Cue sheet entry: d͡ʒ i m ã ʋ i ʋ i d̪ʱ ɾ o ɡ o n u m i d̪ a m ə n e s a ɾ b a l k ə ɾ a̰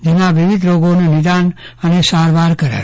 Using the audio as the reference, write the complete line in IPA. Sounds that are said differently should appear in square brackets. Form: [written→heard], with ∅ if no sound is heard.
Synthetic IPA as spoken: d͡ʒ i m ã ʋ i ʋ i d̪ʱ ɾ o ɡ o n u [m→n] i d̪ a [m→n] ə n e s a ɾ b a [l→ɾ] k ə ɾ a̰